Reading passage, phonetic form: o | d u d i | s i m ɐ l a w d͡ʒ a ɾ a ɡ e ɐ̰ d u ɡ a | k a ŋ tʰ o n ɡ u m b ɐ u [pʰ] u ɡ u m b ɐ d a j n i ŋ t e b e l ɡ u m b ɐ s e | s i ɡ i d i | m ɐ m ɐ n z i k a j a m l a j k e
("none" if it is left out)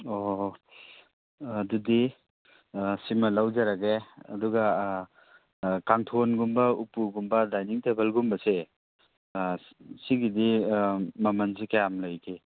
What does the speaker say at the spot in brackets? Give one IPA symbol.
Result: p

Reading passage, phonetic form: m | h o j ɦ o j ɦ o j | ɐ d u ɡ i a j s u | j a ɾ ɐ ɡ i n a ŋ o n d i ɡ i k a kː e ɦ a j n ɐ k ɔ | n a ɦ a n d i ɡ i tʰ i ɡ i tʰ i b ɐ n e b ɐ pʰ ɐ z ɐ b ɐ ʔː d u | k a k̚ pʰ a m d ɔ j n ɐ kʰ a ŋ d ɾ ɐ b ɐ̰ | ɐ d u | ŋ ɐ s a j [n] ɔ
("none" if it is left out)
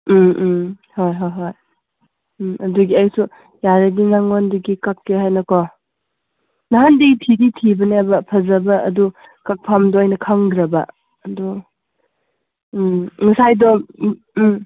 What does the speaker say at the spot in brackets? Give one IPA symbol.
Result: d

